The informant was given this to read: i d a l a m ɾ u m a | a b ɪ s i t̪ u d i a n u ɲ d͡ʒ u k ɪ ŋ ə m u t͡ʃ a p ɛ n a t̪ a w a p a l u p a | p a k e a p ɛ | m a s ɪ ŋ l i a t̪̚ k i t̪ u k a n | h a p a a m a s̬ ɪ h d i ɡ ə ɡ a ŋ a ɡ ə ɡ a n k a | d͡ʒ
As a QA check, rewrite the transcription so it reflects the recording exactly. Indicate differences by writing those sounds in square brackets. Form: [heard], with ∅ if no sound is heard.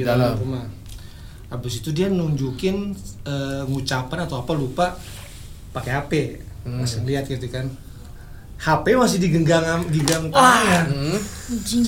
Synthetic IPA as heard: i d a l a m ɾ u m a | a b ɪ s i t̪ u d i a n u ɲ d͡ʒ u k ɪ [n] ə [ŋ] u t͡ʃ a p [a] n a t̪ a w a p a l u p a | p a k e a p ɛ | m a s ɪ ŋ l i a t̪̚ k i t̪ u k a n | h a p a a m a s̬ ɪ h d i ɡ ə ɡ a ŋ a ɡ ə ɡ a [ŋ] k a | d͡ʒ